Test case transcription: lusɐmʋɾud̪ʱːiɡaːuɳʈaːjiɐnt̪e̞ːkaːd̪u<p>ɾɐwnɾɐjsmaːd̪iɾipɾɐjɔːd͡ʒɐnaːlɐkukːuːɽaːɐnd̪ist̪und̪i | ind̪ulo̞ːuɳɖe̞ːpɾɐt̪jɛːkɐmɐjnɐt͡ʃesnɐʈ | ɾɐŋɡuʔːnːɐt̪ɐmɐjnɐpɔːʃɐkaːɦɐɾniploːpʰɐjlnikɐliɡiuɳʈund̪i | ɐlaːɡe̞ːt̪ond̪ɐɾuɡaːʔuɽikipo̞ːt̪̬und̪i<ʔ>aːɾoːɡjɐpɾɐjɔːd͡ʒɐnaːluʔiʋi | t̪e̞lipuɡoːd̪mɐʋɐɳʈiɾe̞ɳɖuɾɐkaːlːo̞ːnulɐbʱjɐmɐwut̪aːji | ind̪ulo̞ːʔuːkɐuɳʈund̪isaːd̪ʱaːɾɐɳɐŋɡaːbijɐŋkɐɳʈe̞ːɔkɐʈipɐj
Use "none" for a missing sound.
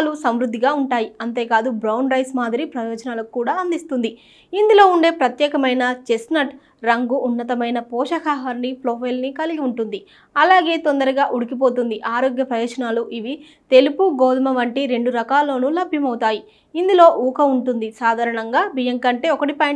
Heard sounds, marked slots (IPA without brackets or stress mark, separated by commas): b, ʔ